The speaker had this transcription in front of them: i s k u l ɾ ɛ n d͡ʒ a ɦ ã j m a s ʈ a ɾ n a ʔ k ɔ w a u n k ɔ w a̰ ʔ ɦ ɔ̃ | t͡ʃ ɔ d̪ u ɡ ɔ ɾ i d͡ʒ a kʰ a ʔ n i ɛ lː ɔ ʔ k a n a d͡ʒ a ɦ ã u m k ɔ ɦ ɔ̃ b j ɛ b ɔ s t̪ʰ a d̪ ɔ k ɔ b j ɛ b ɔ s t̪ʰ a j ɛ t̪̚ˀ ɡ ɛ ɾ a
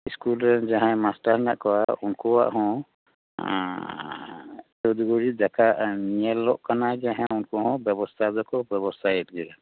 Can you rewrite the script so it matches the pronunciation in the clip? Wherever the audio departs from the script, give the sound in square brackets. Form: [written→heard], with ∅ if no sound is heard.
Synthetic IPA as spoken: i s k u l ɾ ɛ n d͡ʒ a ɦ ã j m a s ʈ a ɾ n a ʔ k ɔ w a u n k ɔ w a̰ ʔ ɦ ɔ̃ | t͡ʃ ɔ d̪ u ɡ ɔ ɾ i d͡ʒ a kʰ a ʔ n i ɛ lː ɔ ʔ k a n a d͡ʒ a ɦ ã u [m→n] k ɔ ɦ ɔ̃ b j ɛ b ɔ s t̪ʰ a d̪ ɔ k ɔ b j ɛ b ɔ s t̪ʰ a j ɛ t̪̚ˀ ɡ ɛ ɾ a